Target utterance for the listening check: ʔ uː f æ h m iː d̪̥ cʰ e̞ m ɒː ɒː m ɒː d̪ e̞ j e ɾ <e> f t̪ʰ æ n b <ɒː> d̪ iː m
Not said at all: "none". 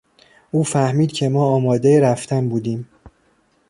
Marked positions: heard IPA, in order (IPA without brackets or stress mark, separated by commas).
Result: æ, uː